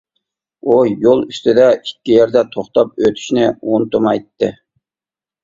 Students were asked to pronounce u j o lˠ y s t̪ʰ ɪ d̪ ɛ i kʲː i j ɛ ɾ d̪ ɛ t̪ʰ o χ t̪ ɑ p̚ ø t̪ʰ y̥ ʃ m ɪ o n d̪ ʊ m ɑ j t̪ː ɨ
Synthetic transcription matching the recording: u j o lˠ y s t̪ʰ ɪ d̪ ɛ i kʲː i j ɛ ɾ d̪ ɛ t̪ʰ o χ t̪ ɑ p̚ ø t̪ʰ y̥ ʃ n ɪ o n t̪ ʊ m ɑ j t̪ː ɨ